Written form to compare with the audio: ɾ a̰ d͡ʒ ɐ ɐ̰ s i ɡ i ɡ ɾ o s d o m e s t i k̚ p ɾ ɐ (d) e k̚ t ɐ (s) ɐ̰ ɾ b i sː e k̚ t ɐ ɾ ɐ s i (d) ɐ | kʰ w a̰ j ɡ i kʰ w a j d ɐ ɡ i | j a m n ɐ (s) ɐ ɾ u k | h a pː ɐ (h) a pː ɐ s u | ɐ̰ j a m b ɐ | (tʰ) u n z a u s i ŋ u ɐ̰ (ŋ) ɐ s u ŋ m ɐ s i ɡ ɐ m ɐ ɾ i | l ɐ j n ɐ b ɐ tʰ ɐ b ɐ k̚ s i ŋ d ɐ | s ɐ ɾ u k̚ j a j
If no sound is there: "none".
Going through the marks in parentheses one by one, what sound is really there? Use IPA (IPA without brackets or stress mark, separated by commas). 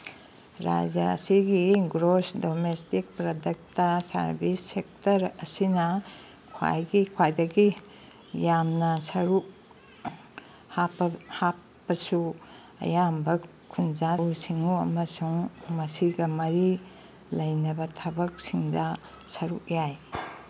d, s, n, s, h, kʰ, m